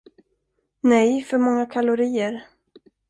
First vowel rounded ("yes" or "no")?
no